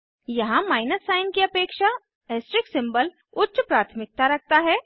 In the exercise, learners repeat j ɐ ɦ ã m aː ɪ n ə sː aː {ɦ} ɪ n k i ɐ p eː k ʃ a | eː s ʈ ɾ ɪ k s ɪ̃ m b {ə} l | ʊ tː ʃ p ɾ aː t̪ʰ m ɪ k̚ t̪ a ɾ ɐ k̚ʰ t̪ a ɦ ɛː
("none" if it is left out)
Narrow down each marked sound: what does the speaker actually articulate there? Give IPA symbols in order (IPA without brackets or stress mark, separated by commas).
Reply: none, ə